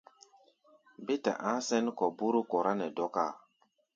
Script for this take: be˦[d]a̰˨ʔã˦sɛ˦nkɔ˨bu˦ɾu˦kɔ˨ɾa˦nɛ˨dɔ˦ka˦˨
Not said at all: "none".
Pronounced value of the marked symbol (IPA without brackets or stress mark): t